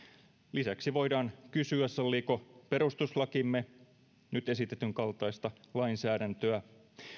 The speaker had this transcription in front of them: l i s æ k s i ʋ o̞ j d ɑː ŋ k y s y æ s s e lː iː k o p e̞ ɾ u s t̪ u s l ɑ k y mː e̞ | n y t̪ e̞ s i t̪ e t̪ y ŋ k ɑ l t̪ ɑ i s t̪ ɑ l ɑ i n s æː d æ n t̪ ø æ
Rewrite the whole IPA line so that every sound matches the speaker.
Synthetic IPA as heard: l i s æ k s i ʋ o̞ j d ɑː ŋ k y s y æ s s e lː iː k o p e̞ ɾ u s t̪ u s l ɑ k i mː e̞ | n y t̪ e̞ s i t̪ e t̪ y ŋ k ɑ l t̪ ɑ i s t̪ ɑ l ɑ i n s æː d æ n t̪ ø æ